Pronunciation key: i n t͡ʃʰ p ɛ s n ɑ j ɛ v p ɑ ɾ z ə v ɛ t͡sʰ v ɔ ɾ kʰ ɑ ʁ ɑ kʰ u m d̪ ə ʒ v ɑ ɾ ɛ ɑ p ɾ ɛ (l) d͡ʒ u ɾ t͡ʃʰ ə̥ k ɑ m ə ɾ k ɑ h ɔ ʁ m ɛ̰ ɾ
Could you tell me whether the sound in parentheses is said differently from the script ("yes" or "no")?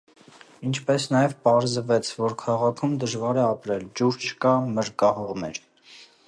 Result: no